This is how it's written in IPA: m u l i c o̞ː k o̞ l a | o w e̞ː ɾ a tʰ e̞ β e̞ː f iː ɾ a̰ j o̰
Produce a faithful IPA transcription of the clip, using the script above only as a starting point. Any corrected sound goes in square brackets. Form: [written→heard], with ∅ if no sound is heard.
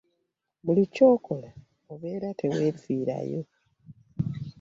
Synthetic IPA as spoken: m u l i c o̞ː k o̞ l a | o [w→β] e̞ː ɾ a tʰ e̞ [β→w] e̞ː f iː ɾ a̰ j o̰